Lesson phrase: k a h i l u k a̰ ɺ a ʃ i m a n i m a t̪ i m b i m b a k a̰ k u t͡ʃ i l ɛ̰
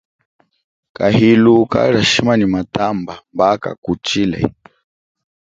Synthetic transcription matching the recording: k a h i l u k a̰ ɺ a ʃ i m a n i m a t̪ a m b a m b a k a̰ k u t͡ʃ i l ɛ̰

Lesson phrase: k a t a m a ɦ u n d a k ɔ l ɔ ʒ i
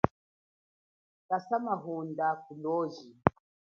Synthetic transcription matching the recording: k a s a m a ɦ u n d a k u l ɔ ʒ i

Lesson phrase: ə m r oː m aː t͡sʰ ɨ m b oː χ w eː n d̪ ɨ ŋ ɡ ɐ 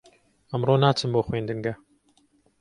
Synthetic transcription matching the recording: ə m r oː n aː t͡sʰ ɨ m b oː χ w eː n d̪ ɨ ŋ ɡ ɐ

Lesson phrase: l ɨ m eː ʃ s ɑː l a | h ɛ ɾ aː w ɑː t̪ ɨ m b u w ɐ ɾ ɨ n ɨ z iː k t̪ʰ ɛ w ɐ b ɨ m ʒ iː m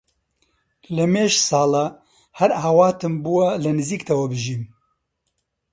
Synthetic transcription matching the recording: l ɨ m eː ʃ s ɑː l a | h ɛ ɾ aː w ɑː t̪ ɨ m b u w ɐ l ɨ n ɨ z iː k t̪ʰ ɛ w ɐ b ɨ ʒ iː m

